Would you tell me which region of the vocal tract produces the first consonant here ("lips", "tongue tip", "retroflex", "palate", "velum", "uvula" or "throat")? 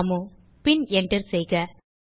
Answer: lips